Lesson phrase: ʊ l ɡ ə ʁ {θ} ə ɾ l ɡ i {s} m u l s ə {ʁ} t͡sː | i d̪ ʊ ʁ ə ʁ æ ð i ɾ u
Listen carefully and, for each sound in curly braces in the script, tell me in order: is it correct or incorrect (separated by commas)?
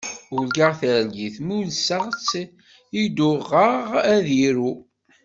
correct, incorrect, correct